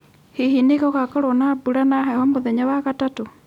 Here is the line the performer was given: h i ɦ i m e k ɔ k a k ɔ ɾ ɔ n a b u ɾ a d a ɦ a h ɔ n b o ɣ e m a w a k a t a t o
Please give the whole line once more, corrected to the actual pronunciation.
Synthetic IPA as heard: h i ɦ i n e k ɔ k a k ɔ ɾ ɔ n a b u ɾ a n a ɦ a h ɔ m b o ð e ɲ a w a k a t a t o